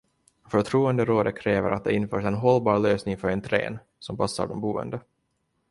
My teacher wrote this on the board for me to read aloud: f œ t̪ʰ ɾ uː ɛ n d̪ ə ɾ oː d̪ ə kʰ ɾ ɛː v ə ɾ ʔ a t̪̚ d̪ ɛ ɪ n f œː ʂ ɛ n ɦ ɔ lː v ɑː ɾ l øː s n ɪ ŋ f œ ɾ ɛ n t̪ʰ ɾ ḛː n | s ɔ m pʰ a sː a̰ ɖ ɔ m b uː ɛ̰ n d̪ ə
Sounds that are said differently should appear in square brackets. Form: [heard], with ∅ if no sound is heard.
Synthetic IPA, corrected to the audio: f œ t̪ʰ ɾ uː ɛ n d̪ ə ɾ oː d̪ ə kʰ ɾ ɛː v ə ɾ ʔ a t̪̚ d̪ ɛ ɪ n f œː ʂ ɛ n ɦ ɔ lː [b] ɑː ɾ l øː s n ɪ ŋ f œ ɾ ɛ n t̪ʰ ɾ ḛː n | s ɔ m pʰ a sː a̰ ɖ ɔ m b uː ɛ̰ n d̪ ə